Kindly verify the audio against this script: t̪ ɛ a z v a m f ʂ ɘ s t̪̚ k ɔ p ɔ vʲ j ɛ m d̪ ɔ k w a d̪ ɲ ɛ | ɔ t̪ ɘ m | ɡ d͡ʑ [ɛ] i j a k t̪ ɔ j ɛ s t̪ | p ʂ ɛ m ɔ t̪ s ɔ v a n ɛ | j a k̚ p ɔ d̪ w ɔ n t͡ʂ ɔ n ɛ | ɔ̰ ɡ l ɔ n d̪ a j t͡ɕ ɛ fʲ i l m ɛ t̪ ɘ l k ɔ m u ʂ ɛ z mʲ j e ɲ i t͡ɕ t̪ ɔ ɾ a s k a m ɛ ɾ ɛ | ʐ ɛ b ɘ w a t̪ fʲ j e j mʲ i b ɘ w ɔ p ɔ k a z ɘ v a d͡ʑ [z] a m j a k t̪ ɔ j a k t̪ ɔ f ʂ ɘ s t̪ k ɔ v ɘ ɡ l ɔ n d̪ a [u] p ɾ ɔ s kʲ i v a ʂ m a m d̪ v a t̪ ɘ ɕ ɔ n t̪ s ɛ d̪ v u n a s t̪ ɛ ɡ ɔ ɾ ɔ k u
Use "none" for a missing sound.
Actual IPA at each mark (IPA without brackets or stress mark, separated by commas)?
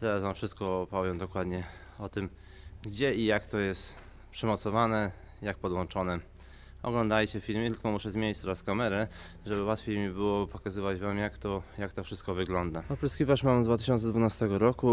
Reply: ɛ, v, ɔ